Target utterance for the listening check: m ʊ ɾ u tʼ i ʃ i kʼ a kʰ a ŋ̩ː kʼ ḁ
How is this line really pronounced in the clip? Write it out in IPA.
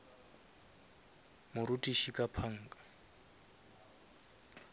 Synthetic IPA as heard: m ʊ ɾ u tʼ i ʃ i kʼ a pʰ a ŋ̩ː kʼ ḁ

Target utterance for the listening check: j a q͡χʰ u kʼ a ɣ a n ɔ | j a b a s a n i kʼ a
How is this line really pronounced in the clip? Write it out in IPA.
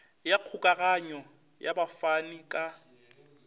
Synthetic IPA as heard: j a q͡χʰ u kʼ a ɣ a ɲ ɔ | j a b a f a n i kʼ a

